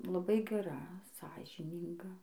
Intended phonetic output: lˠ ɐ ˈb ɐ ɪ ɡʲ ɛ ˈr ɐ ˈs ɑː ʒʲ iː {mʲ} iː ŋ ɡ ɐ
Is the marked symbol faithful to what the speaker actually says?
no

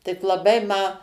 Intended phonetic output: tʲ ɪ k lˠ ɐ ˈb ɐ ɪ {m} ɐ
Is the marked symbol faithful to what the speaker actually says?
yes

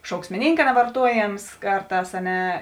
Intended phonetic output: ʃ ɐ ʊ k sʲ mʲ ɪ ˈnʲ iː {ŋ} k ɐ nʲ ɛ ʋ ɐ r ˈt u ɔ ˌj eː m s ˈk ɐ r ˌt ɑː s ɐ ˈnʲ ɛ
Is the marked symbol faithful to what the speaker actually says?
yes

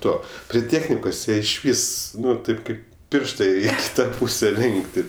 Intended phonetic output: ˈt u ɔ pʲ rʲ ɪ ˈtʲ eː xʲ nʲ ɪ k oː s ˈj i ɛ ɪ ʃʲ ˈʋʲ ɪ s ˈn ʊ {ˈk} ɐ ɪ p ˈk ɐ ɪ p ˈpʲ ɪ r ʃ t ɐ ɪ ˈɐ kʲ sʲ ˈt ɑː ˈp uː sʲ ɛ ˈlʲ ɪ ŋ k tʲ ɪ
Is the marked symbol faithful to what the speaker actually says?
no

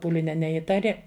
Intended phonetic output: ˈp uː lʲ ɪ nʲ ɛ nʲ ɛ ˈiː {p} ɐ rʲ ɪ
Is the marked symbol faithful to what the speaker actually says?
no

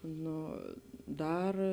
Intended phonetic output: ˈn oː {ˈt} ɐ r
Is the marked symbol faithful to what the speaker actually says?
no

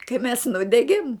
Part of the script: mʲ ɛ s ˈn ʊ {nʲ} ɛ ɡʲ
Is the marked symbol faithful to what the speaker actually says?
no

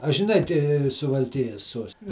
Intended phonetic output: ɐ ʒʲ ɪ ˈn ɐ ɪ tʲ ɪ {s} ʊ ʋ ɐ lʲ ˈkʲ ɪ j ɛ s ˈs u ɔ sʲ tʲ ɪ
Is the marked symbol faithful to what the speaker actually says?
yes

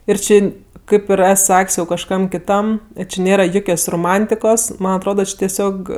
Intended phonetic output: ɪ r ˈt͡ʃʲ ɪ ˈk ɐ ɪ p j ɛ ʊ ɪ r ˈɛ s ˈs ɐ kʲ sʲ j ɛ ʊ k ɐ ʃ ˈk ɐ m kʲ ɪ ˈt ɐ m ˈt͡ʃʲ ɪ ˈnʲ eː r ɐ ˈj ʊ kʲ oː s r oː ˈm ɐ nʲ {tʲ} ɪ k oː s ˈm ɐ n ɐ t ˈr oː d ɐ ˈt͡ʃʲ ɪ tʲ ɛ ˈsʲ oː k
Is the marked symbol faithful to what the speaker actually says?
yes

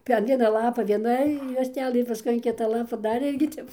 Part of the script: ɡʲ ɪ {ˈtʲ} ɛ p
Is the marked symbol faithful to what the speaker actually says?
yes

